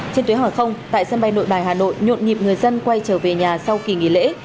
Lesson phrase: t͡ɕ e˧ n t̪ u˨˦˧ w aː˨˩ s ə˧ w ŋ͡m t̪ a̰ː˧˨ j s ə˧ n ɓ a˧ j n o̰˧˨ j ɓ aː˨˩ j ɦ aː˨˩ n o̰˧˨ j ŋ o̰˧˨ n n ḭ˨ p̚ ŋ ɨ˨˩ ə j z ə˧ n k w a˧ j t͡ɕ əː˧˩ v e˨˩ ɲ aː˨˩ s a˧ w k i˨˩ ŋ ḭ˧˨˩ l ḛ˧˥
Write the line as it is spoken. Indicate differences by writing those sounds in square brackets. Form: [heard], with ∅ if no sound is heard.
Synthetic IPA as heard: t͡ɕ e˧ n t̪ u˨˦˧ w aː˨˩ [x] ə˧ w ŋ͡m t̪ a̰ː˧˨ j s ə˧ n ɓ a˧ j n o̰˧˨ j ɓ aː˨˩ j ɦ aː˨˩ n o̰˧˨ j [ɲ] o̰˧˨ n [ɲ] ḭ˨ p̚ ŋ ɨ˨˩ ə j z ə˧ n k w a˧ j t͡ɕ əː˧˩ v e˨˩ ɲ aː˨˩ s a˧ w k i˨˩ ŋ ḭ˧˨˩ l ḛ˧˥